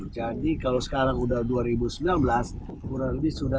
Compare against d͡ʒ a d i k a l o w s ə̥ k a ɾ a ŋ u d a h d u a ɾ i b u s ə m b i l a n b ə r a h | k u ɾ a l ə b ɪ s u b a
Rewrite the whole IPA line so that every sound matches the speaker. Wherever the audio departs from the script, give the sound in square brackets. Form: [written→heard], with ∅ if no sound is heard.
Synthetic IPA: d͡ʒ a d i k a l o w s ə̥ k a ɾ a ŋ u d a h d u a ɾ i b u s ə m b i l a n b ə [r→l] a [h→s] | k u ɾ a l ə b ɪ s u [b→d] a